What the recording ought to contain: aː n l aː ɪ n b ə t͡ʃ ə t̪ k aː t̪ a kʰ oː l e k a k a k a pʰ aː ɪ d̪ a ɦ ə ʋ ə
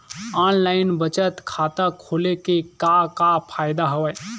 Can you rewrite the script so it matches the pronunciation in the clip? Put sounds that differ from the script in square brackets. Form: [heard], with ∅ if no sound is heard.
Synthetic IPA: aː n l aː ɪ n b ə t͡ʃ ə t̪ [kʰ] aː t̪ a kʰ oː l e k [e] k a k a pʰ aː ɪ d̪ a ɦ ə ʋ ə